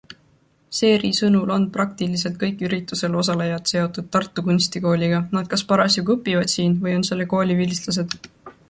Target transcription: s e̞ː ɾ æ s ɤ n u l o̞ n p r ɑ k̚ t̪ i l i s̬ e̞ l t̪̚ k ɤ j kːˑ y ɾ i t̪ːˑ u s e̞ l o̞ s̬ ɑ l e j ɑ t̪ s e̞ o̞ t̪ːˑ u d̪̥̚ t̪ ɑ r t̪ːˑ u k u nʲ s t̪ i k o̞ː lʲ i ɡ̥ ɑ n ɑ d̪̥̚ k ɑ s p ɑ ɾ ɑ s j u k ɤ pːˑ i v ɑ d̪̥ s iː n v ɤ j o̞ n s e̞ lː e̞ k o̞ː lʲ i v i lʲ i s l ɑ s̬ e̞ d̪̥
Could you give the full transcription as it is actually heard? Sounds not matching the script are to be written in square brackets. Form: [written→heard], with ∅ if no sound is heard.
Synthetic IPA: s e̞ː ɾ [æ→i] s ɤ n u l o̞ n p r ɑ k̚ t̪ i l i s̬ e̞ l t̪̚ k ɤ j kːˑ y ɾ i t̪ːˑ u s e̞ l o̞ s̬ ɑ l e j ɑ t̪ s e̞ o̞ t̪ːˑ u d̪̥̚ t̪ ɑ r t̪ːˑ u k u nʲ s t̪ i k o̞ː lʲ i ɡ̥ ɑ n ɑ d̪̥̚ k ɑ s p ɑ ɾ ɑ s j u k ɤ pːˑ i v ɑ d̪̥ s iː n v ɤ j o̞ n s e̞ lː e̞ k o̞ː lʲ i v i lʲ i s l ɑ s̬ e̞ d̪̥